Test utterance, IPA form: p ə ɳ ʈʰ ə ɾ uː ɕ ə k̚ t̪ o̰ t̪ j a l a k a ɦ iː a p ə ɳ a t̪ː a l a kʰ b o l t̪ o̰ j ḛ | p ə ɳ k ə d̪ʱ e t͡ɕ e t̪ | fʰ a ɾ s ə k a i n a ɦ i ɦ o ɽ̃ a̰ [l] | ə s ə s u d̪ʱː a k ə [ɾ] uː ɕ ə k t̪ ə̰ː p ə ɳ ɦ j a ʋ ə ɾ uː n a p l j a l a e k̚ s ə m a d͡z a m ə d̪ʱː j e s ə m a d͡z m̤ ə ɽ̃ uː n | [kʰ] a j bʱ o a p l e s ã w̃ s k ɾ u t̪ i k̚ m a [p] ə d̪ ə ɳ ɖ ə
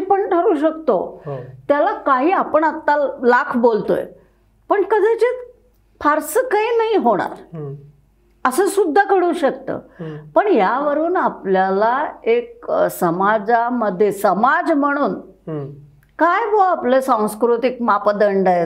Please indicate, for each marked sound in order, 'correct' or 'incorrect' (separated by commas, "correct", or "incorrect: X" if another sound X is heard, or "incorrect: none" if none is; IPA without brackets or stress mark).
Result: incorrect: ɾ, incorrect: ɽ, incorrect: k, correct